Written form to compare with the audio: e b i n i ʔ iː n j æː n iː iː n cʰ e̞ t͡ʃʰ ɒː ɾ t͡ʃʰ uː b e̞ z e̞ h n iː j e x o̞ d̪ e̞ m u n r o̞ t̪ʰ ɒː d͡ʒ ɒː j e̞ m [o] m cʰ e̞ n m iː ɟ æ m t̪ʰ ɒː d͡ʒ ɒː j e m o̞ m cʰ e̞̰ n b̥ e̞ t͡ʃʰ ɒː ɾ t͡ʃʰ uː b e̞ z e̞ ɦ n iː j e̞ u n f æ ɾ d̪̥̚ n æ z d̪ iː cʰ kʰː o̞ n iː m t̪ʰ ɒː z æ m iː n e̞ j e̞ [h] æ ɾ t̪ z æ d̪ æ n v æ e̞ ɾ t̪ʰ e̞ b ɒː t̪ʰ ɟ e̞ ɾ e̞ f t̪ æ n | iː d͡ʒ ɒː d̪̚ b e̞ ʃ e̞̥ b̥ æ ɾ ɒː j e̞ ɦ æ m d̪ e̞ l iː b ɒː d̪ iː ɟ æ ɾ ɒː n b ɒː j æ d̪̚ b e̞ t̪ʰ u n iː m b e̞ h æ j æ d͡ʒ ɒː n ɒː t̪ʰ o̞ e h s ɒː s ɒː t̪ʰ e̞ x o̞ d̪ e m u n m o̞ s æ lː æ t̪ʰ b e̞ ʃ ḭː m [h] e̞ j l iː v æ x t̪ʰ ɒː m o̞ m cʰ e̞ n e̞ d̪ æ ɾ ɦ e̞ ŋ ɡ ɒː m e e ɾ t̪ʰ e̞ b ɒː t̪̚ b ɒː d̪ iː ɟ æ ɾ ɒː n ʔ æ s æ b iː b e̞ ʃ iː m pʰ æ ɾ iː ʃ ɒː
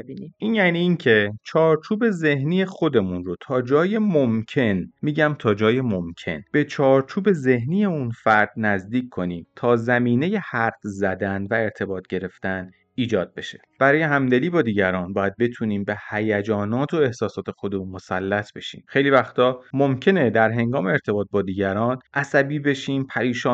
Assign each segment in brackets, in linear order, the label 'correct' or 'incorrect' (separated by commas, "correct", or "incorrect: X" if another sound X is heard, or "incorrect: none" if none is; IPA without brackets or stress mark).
correct, correct, incorrect: x